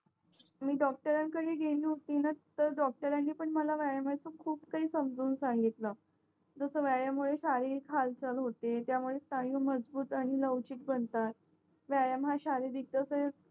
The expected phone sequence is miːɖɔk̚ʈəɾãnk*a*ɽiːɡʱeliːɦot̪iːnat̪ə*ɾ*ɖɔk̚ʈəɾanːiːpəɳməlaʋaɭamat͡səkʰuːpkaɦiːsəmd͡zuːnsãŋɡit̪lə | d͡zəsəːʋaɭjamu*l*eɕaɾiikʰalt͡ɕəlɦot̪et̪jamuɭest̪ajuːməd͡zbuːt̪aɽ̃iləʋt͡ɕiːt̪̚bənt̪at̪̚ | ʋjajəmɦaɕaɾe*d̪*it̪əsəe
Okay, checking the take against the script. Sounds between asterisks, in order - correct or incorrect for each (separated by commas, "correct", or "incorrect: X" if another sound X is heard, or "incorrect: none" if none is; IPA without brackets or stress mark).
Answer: incorrect: ə, correct, incorrect: ɭ, correct